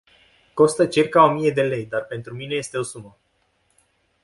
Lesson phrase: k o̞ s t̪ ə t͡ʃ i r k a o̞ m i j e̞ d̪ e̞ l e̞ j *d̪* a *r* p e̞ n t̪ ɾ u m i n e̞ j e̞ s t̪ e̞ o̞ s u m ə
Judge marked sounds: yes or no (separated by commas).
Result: yes, yes